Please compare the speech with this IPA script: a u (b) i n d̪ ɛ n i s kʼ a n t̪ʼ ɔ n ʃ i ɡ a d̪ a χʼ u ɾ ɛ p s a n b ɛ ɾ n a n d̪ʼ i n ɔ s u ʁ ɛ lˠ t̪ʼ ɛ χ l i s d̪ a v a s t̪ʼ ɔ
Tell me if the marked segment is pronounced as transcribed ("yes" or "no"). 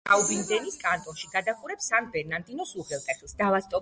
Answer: yes